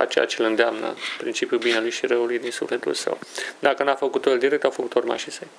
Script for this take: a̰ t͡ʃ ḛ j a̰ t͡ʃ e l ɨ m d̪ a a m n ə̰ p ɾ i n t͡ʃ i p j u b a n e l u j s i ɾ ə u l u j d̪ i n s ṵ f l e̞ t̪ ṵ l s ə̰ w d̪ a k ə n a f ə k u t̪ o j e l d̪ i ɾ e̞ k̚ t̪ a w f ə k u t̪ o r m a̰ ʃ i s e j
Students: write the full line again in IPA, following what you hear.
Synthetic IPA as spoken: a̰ t͡ʃ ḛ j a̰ t͡ʃ e l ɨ n d̪ e a m n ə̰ p ɾ i n t͡ʃ i p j u b i n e l u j ʃ i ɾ ə u l u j d̪ i n s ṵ f l e̞ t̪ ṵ l s ə̰ w d̪ a k ə n a f ə k u t̪ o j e l d̪ i ɾ e̞ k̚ t̪ a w f ə k u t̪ o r m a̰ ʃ i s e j